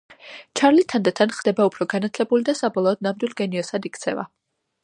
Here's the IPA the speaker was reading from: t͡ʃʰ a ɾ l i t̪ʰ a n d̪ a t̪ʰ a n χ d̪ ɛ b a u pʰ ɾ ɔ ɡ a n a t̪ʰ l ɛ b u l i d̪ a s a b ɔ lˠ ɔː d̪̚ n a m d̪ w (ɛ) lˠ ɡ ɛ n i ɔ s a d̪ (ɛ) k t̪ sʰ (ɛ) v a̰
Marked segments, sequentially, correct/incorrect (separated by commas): incorrect, incorrect, correct